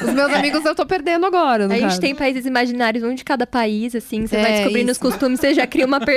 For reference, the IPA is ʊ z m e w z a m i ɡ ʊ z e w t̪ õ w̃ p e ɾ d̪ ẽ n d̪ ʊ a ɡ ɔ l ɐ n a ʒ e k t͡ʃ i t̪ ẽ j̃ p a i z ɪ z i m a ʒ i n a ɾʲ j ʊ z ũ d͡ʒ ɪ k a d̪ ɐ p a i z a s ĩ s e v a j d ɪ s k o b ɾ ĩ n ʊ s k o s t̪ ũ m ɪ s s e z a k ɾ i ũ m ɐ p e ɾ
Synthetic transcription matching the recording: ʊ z m e w z a m i ɡ ʊ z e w t̪ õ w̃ p e ɾ d̪ ẽ n d̪ ʊ a ɡ ɔ ɾ ɐ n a ʒ e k t͡ʃ ɪ t̪ ẽ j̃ p a i z ɪ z i m a ʒ i n a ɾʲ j ʊ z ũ d͡ʒ ɪ k a d̪ ɐ p a i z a s ĩ s e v a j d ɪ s k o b ɾ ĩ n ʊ s k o s t̪ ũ m ɪ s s e ʒ a k ɾ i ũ m ɐ p e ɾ